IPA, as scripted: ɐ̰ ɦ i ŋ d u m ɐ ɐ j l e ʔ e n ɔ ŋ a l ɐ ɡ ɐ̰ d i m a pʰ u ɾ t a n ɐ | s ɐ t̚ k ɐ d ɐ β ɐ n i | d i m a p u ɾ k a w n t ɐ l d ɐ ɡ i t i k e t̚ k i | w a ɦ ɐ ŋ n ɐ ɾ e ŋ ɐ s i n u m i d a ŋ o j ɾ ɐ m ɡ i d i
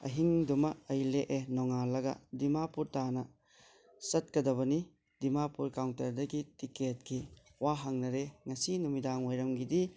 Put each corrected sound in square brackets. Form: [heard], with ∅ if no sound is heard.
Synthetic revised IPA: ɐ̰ ɦ i ŋ d u m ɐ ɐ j l e ʔ e n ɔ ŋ a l ɐ ɡ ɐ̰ d i m a [p] u ɾ t a n ɐ | s ɐ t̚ k ɐ d ɐ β ɐ n i | d i m a p u ɾ k a w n t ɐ [ɾ] d ɐ ɡ i t i k e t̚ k i | w a ɦ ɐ ŋ n ɐ ɾ e ŋ ɐ s i n u m i d a ŋ o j ɾ ɐ m ɡ i d i

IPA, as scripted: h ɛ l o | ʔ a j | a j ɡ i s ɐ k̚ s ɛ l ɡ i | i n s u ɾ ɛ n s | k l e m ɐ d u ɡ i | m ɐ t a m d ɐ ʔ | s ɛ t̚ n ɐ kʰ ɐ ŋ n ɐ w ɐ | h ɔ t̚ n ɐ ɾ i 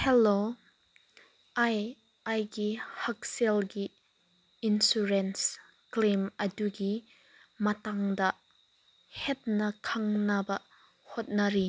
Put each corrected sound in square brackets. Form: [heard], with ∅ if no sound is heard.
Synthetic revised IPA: h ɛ l o | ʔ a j | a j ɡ i [h] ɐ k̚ s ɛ l ɡ i | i n s u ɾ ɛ n s | k l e m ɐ d u ɡ i | m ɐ t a [ŋ] d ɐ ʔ | [h] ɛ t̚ n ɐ kʰ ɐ ŋ n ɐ [b] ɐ | h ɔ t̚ n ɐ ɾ i

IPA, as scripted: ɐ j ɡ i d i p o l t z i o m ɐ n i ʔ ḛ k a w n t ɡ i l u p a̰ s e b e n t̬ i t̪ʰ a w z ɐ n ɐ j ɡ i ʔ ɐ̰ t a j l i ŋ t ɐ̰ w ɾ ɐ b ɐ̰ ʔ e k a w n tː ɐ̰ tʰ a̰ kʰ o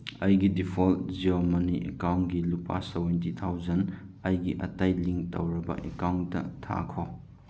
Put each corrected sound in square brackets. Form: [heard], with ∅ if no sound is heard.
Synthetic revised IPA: ɐ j ɡ i d i [pʰ] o l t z i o m ɐ n i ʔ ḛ k a w n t ɡ i l u p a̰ s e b e n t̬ i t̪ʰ a w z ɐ n ɐ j ɡ i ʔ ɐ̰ t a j l i ŋ t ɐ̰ w ɾ ɐ b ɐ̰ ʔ e k a w n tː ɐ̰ tʰ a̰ kʰ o

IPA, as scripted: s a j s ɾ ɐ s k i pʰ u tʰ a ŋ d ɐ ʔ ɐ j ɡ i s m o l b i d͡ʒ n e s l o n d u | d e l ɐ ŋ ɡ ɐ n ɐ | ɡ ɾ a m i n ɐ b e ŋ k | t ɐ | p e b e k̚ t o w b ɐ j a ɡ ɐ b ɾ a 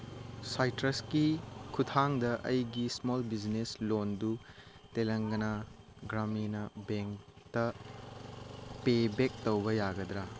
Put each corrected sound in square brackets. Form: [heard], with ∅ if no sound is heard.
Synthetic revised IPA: s a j [t] ɾ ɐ s k i [kʰ] u tʰ a ŋ d ɐ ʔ ɐ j ɡ i s m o l b i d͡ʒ n e s l o n d u | [t] e l ɐ ŋ ɡ ɐ n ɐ | ɡ ɾ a m i n ɐ b e ŋ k | t ɐ | p e b e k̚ t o w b ɐ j a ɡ ɐ [d] ɾ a

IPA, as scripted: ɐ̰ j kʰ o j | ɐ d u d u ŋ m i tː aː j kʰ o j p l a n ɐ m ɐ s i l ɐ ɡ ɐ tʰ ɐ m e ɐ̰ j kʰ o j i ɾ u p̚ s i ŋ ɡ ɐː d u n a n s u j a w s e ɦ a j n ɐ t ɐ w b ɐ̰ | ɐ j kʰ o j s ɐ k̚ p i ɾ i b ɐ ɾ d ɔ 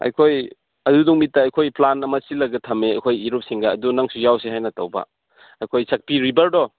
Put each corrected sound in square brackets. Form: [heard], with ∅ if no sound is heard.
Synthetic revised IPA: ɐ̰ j kʰ o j | ɐ d u d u ŋ m i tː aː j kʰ o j p l a n ɐ m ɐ s i l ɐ ɡ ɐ tʰ ɐ m e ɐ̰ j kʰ o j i ɾ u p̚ s i ŋ ɡ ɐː d u n a [ŋ] s u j a w s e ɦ a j n ɐ t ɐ w b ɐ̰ | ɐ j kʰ o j s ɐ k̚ p i ɾ i b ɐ ɾ d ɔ

